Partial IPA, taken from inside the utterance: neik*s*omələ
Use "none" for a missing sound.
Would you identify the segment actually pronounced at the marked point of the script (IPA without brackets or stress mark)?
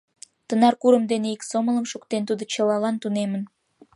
s